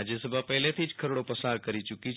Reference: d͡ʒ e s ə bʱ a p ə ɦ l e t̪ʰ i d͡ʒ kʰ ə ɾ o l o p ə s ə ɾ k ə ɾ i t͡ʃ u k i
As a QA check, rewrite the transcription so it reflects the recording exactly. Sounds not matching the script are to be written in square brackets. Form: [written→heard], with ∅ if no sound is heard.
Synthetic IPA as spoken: d͡ʒ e s ə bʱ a p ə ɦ l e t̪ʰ i d͡ʒ kʰ ə ɾ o [l→ɽ] o p ə s [ə→a] ɾ k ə ɾ i t͡ʃ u k i

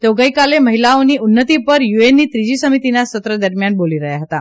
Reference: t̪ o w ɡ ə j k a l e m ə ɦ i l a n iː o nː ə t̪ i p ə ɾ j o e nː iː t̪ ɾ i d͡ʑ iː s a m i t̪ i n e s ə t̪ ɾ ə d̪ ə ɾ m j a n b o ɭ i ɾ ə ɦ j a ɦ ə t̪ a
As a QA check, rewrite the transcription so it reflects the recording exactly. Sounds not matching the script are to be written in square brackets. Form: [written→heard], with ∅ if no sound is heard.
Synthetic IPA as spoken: t̪ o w ɡ ə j k a l e m ə ɦ i l a n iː [o→u] nː ə t̪ i p ə ɾ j [o→u] e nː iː t̪ ɾ i d͡ʑ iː s [a→ə] m i t̪ i n [e→a] s ə t̪ ɾ ə d̪ ə ɾ m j a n b o [ɭ→l] i ɾ ə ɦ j a ɦ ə t̪ a

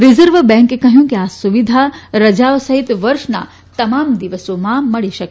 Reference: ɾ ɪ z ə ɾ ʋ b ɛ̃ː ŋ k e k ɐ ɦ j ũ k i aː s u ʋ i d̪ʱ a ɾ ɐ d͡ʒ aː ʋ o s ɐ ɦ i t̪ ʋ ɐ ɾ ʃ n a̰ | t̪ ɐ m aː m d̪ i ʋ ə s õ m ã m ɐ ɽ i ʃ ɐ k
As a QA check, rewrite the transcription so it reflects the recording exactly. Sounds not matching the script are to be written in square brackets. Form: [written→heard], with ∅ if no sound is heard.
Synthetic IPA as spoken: ɾ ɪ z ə ɾ ʋ b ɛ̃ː ŋ k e k ɐ ɦ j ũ k i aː s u ʋ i d̪ʱ a ɾ ɐ d͡ʒ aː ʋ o s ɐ ɦ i t̪ ʋ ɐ ɾ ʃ n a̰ | t̪ ɐ m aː m d̪ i ʋ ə s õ m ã m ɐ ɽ i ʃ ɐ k

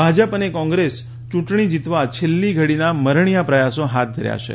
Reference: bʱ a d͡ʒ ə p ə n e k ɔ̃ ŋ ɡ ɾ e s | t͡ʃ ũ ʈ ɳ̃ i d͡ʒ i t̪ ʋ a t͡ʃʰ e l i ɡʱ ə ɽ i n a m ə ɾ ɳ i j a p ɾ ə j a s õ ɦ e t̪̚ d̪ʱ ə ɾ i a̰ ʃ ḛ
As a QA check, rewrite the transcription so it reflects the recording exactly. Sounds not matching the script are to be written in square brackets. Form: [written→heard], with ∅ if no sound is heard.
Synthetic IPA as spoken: bʱ a d͡ʒ ə p ə n e k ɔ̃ ŋ ɡ ɾ e s | t͡ʃ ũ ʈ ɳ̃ i d͡ʒ i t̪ ʋ a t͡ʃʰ e [l→lː] i ɡʱ ə ɽ i n a m ə ɾ ɳ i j a p ɾ ə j a s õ ɦ [e→a] t̪̚ d̪ʱ ə ɾ [i→j] a̰ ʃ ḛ

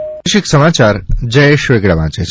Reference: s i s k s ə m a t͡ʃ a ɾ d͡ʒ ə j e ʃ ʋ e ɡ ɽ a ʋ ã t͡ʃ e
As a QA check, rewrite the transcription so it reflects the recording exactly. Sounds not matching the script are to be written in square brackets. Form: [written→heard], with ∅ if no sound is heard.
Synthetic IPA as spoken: [s→ʃ] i [s→∅] k s ə m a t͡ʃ a ɾ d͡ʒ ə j e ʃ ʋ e ɡ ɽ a ʋ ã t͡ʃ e

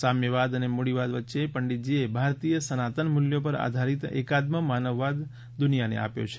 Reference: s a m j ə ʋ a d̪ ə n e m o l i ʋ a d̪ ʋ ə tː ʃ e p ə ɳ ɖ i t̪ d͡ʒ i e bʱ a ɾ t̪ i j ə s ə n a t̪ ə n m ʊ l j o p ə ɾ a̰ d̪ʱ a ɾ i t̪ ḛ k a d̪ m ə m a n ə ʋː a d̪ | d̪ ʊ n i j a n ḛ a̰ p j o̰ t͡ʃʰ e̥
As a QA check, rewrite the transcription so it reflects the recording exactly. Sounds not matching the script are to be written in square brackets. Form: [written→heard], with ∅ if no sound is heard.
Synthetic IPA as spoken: s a m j ə ʋ a d̪ ə n e m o [l→ɽ] i ʋ a d̪ ʋ ə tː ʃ e p ə ɳ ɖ i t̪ d͡ʒ i e bʱ a ɾ t̪ i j ə s ə n a t̪ ə n m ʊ l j o p ə ɾ a̰ d̪ʱ a ɾ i t̪ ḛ k a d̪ m ə m a n ə ʋː a d̪ | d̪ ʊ n i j a n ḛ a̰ p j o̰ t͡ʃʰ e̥

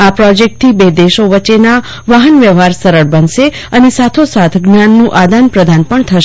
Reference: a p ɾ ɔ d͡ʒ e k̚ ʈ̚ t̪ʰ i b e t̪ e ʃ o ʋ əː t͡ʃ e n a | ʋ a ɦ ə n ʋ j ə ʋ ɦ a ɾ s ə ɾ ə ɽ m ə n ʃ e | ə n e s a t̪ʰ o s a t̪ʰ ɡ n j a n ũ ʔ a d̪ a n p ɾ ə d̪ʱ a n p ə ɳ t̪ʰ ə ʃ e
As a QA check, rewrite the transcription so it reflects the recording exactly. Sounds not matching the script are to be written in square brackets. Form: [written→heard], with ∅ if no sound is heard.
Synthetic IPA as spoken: a p ɾ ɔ d͡ʒ e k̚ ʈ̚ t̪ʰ i b e [t̪→d̪] e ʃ o ʋ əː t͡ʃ e n a | ʋ a ɦ ə n ʋ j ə ʋ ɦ a ɾ s ə ɾ ə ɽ [m→b] ə n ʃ e | ə n e s a t̪ʰ o s a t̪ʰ ɡ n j a [n→nː] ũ ʔ a d̪ a n p ɾ ə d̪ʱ a n p ə ɳ t̪ʰ ə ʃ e

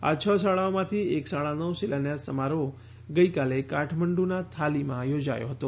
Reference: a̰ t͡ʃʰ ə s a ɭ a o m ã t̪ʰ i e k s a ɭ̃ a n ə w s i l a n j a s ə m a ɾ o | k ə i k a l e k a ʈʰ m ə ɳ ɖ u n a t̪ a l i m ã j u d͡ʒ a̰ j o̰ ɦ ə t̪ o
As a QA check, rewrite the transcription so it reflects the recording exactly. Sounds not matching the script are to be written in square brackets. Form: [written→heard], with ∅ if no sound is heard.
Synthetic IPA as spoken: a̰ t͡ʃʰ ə s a ɭ a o m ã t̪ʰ i e k s a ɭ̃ a n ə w s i l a n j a s ə m a ɾ o | [k→ɡ] ə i k a l e k a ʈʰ m ə ɳ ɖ u n a [t̪→t̪ʰ] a l i m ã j [u→o] d͡ʒ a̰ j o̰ ɦ ə t̪ o

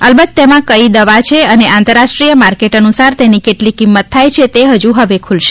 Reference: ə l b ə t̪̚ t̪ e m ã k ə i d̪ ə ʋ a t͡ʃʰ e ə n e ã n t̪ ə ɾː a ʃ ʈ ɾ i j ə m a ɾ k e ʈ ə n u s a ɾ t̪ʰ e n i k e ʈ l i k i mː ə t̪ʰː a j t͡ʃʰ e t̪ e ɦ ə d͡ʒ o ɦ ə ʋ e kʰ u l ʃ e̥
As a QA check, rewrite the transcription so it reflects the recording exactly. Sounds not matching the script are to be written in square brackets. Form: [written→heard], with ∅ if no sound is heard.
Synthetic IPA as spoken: ə l b ə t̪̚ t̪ e m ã k ə i d̪ ə ʋ a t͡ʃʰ e ə n e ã n t̪ ə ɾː a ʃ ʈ ɾ i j ə m a ɾ k e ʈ ə n u s a ɾ [t̪ʰ→t̪] e n i k e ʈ l i k i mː ə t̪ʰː a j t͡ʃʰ e t̪ e ɦ ə d͡ʒ [o→u] ɦ ə ʋ e kʰ u l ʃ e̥

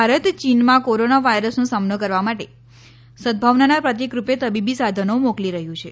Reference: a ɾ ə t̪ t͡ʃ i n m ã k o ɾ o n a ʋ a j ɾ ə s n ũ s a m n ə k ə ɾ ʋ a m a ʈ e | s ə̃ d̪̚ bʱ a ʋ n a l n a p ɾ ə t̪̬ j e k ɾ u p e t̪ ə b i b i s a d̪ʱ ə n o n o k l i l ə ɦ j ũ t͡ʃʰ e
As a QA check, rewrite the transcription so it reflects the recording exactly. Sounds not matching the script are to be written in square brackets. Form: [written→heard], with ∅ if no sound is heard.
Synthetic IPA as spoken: a ɾ ə t̪ t͡ʃ i n m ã k o ɾ o n a ʋ a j ɾ ə s n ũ s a m n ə k ə ɾ ʋ a m a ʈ e | s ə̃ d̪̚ bʱ a ʋ n a [l→∅] n a p ɾ ə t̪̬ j e k ɾ u p e t̪ ə b i b i s a d̪ʱ ə n o [n→m] o k l i [l→ɾ] ə ɦ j ũ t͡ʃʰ e

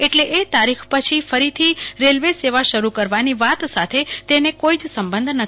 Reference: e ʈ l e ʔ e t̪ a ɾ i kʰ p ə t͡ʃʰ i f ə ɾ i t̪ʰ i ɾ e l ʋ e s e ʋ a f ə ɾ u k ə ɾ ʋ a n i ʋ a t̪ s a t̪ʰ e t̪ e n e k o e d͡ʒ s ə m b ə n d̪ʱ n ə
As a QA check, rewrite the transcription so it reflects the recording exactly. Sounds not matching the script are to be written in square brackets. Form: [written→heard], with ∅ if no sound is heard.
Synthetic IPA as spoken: e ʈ l e ʔ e t̪ a ɾ i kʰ p ə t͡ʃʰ i f ə ɾ i t̪ʰ i ɾ e l ʋ e s e ʋ a [f→ʃ] ə ɾ u k ə ɾ ʋ a n i ʋ a t̪ s a t̪ʰ e t̪ e n e k o [e→i] d͡ʒ s ə m b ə n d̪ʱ n ə

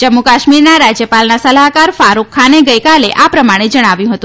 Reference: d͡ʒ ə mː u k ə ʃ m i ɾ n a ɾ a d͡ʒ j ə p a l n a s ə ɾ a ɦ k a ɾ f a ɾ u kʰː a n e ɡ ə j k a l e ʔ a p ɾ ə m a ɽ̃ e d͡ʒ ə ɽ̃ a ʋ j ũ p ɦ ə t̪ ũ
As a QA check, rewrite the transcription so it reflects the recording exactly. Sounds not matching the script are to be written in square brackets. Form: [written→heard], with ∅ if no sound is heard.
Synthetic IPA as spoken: d͡ʒ ə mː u k [ə→a] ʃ m i ɾ n a ɾ a d͡ʒ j ə p a l n a s ə [ɾ→l] a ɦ k a ɾ f a ɾ u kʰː a n e ɡ ə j k a l e ʔ a p ɾ ə m a ɽ̃ e d͡ʒ ə ɽ̃ a ʋ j ũ [p→∅] ɦ ə t̪ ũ

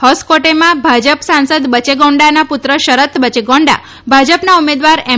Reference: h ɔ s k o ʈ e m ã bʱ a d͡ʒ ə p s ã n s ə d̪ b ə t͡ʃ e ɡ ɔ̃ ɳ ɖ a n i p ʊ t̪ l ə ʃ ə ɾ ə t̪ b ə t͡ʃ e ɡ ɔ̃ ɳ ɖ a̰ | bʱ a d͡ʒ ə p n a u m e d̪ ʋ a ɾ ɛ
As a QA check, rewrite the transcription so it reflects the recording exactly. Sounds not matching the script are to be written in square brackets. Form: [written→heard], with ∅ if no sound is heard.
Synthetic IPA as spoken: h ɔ s k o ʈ e m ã bʱ a d͡ʒ ə p s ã n s ə d̪ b ə t͡ʃ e ɡ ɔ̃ ɳ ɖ a n [i→a] p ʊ t̪ [l→ɾ] ə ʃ ə ɾ ə t̪ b ə t͡ʃ e ɡ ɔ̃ ɳ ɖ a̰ | bʱ a d͡ʒ ə p n a u m e d̪ ʋ a ɾ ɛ

